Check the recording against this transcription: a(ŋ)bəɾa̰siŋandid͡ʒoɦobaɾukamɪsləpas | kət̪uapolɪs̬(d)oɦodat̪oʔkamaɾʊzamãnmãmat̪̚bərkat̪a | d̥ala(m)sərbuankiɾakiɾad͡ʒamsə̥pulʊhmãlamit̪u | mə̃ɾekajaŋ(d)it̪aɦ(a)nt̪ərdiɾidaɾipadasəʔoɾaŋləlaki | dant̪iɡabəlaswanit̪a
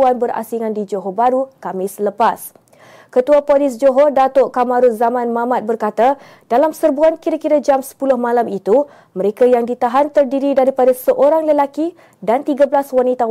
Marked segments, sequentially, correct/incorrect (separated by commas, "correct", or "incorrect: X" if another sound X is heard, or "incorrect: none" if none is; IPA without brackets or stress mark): incorrect: n, incorrect: d͡ʒ, correct, correct, correct